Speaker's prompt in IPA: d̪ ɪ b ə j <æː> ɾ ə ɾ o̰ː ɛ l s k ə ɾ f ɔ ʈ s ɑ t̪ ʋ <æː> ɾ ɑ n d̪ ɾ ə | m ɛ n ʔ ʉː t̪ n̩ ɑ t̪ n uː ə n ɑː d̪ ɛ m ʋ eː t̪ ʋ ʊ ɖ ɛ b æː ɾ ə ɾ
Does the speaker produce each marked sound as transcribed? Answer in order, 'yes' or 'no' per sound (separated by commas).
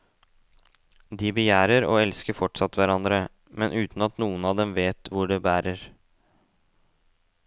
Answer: yes, no